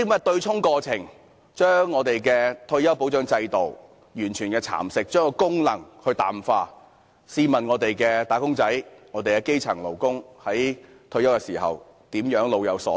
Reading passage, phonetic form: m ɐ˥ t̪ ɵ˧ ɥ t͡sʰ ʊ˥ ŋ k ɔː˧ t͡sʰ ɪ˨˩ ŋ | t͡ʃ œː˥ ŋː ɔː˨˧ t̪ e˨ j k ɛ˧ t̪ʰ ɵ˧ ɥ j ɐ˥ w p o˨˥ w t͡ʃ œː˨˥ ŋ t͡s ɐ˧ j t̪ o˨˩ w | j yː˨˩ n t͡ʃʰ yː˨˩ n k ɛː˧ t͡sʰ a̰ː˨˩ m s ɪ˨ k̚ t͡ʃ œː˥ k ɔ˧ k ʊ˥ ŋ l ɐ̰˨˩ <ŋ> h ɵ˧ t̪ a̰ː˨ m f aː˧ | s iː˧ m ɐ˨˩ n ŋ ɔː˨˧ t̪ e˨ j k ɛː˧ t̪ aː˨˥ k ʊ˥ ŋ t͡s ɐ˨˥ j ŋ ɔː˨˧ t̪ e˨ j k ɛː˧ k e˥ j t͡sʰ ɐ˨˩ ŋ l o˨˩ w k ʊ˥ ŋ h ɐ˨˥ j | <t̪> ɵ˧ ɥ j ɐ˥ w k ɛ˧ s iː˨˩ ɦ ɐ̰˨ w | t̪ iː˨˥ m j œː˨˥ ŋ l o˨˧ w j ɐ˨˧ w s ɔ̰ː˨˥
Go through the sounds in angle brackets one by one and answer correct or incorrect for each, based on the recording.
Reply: correct, incorrect

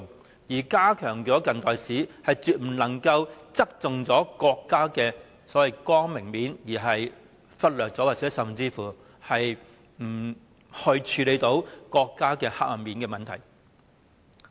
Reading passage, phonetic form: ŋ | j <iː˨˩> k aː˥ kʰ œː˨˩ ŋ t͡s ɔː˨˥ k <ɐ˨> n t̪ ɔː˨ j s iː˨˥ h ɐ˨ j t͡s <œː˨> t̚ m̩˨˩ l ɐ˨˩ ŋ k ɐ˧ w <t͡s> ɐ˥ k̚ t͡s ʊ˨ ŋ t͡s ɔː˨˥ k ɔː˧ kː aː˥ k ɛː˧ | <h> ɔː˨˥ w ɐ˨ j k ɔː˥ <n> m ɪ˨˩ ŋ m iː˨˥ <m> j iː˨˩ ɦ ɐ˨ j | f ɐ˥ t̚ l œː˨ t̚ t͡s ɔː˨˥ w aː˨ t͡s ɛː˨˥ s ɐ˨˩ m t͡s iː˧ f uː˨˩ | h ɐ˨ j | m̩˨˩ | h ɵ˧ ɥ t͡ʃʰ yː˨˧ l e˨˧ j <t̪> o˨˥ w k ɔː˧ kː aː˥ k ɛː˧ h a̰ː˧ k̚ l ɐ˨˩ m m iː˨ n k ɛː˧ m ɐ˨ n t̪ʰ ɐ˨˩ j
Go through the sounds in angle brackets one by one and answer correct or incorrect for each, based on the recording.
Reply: correct, correct, incorrect, correct, incorrect, incorrect, incorrect, correct

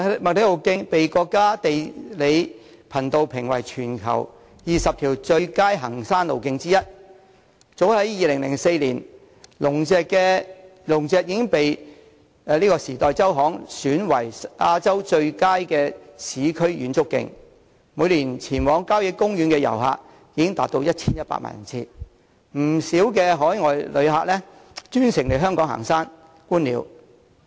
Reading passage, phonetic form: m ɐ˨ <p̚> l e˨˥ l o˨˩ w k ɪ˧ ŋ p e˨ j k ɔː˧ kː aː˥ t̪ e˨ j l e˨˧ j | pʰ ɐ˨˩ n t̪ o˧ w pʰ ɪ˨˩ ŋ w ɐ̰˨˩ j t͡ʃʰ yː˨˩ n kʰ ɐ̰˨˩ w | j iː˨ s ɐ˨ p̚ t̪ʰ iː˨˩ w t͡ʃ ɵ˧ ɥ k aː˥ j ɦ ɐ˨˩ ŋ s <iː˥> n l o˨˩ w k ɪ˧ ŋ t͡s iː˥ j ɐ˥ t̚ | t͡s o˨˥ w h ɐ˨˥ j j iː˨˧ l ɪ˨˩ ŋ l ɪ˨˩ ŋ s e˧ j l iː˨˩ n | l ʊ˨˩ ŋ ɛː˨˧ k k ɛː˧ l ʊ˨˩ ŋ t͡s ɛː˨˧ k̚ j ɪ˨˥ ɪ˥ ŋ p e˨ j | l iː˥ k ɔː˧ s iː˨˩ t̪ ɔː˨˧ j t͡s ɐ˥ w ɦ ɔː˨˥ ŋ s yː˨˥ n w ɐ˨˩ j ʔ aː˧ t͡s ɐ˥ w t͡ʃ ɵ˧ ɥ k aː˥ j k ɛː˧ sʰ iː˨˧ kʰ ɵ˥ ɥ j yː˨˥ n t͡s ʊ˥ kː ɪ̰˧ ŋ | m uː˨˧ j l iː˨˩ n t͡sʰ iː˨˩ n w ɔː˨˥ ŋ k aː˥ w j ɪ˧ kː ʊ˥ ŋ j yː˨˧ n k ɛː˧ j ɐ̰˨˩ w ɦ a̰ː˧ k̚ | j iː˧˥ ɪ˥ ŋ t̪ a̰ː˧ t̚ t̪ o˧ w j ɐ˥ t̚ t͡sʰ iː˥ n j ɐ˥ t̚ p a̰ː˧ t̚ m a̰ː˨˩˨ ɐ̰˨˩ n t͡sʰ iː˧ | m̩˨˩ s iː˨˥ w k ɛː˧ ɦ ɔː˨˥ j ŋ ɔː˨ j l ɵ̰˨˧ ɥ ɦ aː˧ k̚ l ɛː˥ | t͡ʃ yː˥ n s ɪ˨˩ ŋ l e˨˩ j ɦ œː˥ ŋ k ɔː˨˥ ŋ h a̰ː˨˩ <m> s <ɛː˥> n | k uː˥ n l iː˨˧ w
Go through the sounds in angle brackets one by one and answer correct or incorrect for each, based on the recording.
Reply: incorrect, incorrect, incorrect, incorrect

